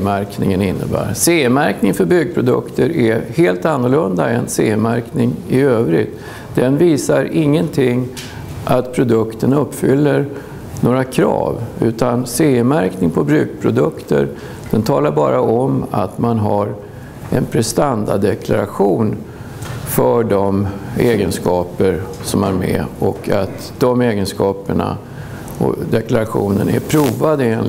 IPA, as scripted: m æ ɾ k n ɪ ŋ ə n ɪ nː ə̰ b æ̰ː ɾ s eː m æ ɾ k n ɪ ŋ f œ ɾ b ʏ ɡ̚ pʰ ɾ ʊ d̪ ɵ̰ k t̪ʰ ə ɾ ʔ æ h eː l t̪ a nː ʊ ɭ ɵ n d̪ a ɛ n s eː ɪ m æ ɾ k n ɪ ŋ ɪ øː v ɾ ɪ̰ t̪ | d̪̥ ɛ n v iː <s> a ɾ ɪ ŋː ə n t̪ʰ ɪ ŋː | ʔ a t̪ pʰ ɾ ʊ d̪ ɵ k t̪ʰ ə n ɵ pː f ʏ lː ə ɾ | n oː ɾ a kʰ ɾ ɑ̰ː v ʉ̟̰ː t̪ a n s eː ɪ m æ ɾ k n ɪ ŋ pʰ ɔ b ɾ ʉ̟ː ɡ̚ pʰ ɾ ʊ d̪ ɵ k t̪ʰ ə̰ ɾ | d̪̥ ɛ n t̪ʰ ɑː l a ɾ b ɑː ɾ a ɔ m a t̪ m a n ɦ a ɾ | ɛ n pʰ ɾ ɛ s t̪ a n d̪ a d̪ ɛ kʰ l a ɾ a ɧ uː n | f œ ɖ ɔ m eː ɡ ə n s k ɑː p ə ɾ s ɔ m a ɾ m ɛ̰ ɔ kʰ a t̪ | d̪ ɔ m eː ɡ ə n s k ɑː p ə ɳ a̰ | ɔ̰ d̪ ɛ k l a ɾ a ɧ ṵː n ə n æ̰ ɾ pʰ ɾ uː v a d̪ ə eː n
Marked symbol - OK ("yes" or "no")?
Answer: yes